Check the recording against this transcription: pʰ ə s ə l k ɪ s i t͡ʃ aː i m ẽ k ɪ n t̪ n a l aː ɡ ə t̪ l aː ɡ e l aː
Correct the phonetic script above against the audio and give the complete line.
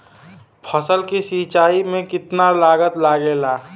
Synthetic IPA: pʰ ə s ə l k i s i t͡ʃ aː i m ẽ k ɪ t̪ n a l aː ɡ ə t̪ l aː ɡ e l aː